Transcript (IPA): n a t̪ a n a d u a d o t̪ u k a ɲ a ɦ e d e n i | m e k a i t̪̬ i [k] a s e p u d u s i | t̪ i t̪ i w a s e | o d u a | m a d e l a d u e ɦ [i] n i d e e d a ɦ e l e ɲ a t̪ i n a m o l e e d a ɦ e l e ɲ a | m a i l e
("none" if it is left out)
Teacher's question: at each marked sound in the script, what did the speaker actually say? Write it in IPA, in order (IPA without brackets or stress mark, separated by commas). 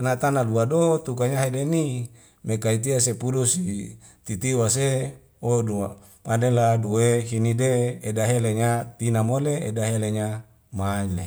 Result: none, i